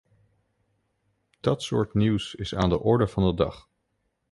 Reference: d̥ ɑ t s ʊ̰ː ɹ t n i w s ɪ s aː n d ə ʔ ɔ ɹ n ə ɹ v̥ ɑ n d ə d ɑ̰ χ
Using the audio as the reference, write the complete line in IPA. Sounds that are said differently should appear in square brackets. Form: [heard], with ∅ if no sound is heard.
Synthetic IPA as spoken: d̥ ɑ t s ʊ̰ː ɹ t n i w s ɪ s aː n d ə ʔ ɔ ɹ [d] ə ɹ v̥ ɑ n d ə d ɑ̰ χ